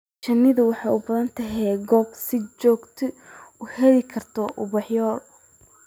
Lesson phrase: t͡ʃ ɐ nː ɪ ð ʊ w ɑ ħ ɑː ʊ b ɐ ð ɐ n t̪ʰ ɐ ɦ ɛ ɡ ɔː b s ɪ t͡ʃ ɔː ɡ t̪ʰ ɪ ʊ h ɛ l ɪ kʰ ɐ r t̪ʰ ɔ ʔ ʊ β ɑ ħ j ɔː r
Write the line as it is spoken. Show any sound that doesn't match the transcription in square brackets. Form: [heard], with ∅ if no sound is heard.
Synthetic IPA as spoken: t͡ʃ ɐ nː ɪ ð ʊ w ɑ ħ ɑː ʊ b ɐ ð ɐ n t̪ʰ ɐ ɦ ɛ ɡ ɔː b s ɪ t͡ʃ ɔː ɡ t̪ʰ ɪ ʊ h ɛ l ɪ kʰ ɐ r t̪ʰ ɔ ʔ ʊ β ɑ ħ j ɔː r

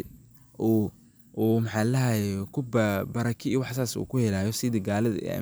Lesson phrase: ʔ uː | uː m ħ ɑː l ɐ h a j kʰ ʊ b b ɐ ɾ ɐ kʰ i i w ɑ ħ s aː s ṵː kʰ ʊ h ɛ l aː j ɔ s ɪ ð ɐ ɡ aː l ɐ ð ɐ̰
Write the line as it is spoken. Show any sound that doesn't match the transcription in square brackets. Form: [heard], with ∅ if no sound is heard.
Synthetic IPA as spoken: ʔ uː | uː m ħ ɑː l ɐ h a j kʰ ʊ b b ɐ ɾ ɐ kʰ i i w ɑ ħ s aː s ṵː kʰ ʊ h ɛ l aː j ɔ s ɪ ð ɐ ɡ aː l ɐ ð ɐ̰

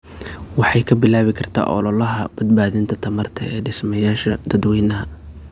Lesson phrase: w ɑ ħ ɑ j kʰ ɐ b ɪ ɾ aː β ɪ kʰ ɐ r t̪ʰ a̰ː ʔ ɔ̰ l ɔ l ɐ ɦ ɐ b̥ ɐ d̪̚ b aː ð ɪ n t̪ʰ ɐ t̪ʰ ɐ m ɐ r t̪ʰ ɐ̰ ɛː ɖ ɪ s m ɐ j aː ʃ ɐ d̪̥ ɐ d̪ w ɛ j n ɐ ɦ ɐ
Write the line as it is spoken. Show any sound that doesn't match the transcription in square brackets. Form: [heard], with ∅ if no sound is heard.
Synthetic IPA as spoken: w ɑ ħ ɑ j kʰ ɐ b ɪ [l] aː β ɪ kʰ ɐ r t̪ʰ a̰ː ʔ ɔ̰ l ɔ l ɐ ɦ ɐ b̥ ɐ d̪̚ b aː ð ɪ n t̪ʰ ɐ t̪ʰ ɐ m ɐ r t̪ʰ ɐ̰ ɛː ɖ ɪ s m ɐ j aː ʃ ɐ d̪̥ ɐ d̪ w ɛ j n ɐ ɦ ɐ

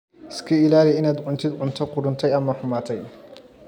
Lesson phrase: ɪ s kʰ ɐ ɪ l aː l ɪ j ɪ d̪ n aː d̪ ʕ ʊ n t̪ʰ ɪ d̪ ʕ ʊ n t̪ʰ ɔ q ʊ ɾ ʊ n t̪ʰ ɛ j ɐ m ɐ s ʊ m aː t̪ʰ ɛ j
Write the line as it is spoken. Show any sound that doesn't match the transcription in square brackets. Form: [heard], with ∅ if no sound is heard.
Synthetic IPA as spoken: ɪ s kʰ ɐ ɪ l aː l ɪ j ɪ [∅] n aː d̪ ʕ ʊ n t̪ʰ ɪ d̪ ʕ ʊ n t̪ʰ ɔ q ʊ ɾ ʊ n t̪ʰ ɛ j ɐ m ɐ [ħ] ʊ m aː t̪ʰ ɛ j

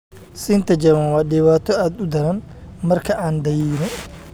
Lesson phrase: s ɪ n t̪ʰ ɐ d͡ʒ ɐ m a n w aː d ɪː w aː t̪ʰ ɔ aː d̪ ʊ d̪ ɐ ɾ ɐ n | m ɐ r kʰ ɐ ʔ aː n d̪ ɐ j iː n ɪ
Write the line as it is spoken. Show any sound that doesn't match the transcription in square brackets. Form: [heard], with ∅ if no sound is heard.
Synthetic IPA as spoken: s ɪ n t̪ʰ ɐ d͡ʒ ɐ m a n w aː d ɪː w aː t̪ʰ ɔ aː d̪ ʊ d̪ ɐ ɾ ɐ n | m ɐ r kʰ ɐ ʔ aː n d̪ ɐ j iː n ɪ

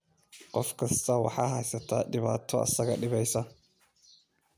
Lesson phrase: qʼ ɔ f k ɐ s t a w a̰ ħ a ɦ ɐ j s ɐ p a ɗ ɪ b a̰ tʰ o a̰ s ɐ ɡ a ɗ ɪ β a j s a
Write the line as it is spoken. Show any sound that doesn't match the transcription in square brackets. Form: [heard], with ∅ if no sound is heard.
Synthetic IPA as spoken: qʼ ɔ f k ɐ s t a w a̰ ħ a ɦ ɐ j s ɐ [t] a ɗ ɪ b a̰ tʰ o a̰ s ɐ ɡ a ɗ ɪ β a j s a

